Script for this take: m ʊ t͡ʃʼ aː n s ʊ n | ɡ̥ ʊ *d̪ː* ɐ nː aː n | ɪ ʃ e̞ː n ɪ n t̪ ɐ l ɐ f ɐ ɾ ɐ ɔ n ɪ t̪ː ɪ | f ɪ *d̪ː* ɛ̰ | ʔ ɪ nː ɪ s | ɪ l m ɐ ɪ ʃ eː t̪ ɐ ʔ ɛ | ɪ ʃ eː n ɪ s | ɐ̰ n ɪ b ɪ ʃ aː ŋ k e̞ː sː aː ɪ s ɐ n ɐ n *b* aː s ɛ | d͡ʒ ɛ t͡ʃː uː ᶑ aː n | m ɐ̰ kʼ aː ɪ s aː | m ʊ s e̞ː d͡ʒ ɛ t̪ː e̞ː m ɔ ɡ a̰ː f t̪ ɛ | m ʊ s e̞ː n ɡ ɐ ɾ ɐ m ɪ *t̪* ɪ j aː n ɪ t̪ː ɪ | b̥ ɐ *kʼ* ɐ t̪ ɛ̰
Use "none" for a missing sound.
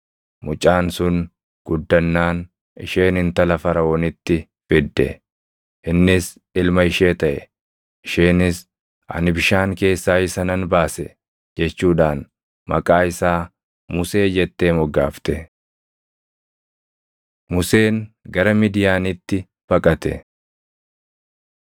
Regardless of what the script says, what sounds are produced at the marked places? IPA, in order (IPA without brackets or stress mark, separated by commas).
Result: d̪ː, d̪ː, b, d̪, kʼ